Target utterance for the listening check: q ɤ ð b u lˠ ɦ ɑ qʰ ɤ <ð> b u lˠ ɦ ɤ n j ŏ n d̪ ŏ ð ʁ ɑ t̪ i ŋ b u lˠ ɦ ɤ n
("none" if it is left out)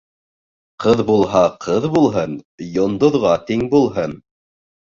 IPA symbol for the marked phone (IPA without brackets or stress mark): ð